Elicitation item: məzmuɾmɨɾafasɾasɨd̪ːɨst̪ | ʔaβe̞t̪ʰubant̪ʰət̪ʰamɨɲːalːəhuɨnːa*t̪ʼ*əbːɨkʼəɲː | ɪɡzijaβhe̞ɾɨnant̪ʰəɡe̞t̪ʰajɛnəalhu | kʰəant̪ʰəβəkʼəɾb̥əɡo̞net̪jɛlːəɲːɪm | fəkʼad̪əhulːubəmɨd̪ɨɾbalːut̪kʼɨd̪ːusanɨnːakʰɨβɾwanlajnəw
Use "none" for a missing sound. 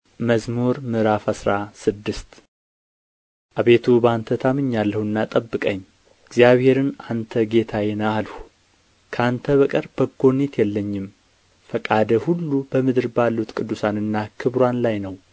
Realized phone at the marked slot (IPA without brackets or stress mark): t̪ʼ